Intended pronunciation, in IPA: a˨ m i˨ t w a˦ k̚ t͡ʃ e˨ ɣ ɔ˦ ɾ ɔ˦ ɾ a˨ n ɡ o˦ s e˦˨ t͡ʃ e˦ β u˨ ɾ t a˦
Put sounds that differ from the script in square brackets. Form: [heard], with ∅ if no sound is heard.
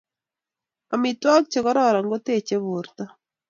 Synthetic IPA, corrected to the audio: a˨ m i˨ t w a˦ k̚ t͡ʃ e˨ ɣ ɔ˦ ɾ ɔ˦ ɾ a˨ [ŋ] ɡ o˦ [t] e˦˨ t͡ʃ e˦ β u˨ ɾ t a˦